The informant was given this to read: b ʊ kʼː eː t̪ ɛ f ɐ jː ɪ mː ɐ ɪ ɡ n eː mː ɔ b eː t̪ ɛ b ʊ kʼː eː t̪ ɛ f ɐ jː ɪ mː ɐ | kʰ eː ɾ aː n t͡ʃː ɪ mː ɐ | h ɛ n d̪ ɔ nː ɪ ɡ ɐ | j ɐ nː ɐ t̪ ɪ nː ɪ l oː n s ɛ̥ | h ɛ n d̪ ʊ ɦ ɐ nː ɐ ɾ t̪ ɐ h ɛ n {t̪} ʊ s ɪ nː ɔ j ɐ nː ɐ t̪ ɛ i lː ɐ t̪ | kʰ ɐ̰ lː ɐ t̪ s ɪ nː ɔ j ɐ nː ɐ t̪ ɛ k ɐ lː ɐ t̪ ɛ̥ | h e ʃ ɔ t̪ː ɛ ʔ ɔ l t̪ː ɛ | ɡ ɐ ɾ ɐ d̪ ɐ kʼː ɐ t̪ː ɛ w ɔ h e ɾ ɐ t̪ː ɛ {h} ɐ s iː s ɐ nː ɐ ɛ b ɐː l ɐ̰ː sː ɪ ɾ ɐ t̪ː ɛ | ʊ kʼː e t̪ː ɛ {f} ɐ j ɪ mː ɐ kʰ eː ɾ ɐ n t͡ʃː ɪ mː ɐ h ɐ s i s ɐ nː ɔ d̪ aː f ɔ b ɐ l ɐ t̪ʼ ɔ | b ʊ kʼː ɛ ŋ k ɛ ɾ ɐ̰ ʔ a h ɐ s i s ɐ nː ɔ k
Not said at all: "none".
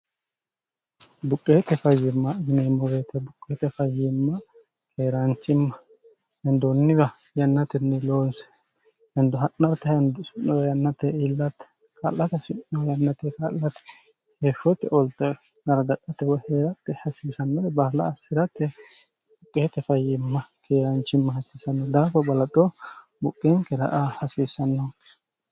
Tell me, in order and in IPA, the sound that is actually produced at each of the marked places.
d̪, h, f

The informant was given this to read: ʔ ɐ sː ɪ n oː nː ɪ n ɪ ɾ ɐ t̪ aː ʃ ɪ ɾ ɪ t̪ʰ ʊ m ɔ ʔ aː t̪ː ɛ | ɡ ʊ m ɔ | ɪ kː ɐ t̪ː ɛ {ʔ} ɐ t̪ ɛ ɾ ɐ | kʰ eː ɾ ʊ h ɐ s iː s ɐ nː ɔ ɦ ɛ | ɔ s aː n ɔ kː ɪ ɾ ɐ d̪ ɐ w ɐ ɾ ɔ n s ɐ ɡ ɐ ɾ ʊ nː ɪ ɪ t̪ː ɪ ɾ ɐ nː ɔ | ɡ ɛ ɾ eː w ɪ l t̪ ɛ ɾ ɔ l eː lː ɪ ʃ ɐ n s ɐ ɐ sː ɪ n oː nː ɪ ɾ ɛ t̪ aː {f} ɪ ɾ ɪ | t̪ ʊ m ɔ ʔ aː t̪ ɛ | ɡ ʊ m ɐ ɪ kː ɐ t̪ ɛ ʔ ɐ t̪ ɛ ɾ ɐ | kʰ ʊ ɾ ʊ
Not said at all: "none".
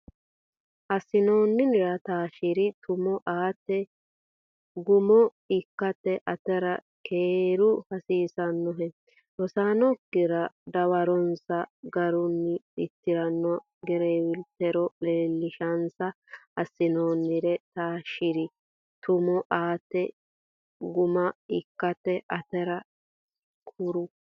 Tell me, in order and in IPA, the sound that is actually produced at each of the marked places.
ʔ, ʃ

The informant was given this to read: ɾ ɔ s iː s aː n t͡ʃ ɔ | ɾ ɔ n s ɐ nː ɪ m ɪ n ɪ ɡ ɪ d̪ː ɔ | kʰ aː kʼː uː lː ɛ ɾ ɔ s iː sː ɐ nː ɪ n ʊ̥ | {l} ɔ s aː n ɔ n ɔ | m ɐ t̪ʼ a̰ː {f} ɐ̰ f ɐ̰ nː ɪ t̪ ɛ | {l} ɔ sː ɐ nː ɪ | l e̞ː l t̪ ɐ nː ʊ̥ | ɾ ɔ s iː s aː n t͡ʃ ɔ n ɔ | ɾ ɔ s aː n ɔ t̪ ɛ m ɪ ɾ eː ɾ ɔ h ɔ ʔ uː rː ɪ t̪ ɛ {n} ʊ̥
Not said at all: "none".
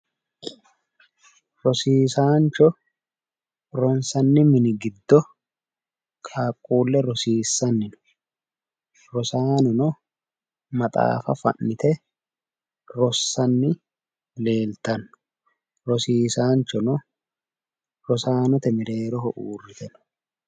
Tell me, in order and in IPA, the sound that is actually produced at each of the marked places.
ɾ, f, ɾ, n

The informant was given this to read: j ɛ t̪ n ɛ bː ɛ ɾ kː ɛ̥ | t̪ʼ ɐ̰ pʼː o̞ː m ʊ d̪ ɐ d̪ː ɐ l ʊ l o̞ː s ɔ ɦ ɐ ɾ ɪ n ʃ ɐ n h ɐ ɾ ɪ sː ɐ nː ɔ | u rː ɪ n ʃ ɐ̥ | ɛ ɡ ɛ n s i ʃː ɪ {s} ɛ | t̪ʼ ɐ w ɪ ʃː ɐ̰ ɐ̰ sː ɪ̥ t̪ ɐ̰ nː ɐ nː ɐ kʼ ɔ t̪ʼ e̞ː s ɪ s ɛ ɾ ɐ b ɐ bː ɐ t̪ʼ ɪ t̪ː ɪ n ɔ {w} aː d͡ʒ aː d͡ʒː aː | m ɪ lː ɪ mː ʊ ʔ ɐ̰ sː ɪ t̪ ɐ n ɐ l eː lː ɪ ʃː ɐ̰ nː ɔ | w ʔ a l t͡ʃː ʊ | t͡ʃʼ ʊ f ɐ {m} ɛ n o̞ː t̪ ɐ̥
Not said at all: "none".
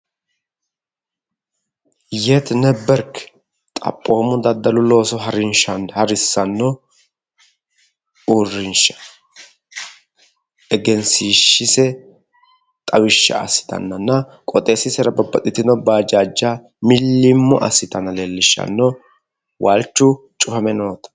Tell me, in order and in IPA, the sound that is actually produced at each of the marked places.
s, b, m

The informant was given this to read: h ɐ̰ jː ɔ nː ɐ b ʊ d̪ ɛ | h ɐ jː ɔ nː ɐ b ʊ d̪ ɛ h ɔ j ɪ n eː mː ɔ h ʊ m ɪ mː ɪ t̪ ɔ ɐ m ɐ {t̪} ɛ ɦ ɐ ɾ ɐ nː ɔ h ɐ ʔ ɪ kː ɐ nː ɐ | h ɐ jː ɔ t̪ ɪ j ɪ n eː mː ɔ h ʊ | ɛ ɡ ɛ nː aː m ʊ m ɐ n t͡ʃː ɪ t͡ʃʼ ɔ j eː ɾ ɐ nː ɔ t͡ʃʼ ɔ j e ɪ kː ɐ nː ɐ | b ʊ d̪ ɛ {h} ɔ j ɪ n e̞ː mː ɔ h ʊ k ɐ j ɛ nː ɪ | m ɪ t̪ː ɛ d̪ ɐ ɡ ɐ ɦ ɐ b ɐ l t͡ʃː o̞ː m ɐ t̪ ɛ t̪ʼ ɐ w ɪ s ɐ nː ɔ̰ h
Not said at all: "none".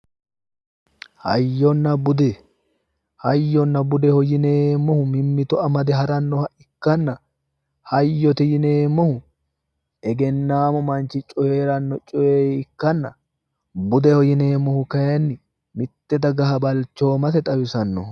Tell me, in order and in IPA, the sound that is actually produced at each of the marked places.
d̪, h

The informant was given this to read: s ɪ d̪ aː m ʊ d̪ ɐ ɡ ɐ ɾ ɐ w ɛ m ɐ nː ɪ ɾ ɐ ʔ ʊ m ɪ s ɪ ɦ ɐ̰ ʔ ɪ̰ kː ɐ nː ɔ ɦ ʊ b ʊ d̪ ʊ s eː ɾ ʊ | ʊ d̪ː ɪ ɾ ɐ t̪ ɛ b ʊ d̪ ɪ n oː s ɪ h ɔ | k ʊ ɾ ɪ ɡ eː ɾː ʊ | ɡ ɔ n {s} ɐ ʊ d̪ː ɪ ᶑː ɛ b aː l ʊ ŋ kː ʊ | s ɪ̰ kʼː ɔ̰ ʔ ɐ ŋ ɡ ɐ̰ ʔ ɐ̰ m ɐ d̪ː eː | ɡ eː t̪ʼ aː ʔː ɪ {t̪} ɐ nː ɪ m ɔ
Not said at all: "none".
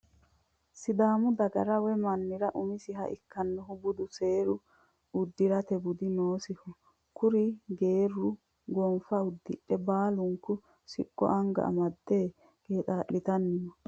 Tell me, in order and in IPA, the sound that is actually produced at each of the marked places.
f, t̪

